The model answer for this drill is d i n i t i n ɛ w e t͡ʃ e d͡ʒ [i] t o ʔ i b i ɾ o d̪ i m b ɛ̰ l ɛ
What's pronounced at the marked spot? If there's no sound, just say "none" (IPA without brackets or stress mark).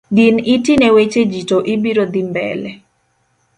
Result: i